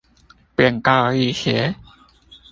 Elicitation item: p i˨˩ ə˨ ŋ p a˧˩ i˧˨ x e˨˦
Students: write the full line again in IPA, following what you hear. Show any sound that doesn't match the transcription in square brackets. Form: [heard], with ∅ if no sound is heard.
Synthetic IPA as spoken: p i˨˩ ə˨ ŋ [k] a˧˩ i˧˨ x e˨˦